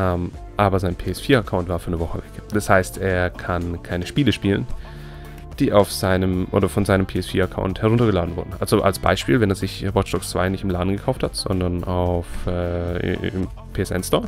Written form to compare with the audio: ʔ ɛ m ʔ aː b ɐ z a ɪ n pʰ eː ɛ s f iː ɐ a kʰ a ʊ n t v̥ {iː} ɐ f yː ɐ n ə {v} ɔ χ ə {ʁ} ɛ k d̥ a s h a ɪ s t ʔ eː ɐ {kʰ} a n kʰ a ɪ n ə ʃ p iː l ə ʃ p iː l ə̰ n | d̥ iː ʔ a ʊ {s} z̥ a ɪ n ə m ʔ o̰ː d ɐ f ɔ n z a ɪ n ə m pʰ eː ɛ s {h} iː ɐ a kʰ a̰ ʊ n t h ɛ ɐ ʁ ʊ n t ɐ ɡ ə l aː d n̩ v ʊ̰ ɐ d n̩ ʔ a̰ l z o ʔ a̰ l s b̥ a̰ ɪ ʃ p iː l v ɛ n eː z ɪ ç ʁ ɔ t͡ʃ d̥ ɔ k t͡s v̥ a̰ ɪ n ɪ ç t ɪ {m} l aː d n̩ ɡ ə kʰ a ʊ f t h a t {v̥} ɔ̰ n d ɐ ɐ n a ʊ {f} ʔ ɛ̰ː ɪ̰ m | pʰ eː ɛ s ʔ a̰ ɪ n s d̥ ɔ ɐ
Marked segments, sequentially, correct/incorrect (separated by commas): incorrect, correct, incorrect, correct, incorrect, incorrect, correct, incorrect, correct